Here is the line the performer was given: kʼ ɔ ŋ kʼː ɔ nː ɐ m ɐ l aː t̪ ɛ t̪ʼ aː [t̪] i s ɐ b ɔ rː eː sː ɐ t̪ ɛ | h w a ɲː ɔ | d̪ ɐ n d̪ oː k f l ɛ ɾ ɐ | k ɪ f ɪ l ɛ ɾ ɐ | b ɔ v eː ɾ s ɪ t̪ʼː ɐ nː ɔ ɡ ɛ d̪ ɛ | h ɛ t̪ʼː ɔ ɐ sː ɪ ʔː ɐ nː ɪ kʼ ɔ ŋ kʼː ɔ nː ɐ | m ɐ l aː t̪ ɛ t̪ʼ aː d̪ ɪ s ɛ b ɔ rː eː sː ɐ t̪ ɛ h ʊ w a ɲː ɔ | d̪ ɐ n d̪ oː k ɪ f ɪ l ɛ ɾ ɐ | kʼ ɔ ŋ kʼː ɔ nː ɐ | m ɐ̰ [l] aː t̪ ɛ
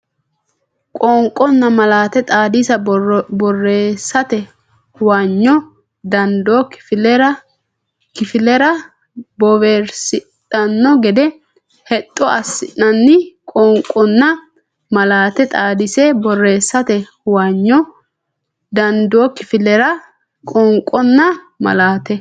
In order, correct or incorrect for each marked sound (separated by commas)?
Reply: incorrect, correct